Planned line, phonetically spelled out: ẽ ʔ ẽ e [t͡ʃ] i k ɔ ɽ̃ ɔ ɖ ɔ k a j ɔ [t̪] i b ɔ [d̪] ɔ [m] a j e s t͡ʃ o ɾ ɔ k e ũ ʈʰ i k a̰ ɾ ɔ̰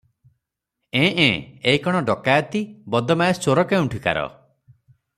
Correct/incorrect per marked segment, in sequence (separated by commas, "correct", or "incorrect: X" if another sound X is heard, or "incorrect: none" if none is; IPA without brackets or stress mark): incorrect: none, correct, correct, correct